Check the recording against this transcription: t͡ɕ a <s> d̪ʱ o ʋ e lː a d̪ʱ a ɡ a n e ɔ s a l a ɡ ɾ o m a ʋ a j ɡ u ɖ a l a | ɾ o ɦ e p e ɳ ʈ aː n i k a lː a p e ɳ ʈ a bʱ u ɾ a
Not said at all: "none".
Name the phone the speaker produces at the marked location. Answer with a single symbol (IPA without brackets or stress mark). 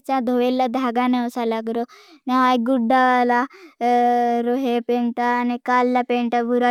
none